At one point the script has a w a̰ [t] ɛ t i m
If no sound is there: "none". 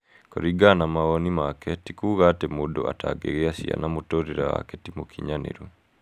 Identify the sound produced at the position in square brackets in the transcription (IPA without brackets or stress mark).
k